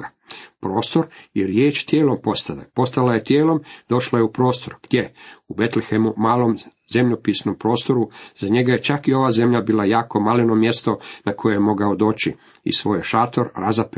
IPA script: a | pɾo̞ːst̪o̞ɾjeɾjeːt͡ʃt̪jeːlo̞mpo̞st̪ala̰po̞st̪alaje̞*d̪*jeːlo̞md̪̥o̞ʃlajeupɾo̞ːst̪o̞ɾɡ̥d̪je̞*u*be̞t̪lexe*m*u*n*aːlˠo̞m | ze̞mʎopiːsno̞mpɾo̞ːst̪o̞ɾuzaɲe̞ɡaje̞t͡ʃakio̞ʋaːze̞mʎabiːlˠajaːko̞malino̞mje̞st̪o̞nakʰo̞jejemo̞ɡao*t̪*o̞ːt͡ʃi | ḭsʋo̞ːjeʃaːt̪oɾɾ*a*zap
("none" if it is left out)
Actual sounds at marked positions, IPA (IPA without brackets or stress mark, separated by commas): t̪, u, m, m, d̪, a